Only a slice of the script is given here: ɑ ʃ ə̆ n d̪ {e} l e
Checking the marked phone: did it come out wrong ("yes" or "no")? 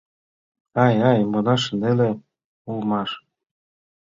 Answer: no